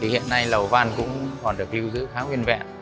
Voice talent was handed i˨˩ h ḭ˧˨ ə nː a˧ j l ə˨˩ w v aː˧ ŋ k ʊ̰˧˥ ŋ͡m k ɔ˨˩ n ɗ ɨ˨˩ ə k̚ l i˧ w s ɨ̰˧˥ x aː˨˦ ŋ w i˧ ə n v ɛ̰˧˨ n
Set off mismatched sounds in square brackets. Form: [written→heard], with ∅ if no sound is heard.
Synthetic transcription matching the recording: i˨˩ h ḭ˧˨ ə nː a˧ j l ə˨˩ w v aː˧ [ŋ→n] k ʊ̰˧˥ ŋ͡m k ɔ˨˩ n ɗ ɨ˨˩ ə k̚ l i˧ w [s→z] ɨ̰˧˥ x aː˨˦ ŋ w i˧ ə n v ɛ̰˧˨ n